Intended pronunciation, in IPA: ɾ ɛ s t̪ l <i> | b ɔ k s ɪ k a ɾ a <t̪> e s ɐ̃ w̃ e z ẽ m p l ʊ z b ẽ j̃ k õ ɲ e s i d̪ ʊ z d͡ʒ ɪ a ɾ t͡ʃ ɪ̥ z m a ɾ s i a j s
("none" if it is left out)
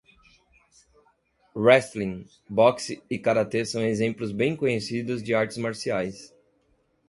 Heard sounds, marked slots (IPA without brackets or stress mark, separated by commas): ĩ, t̪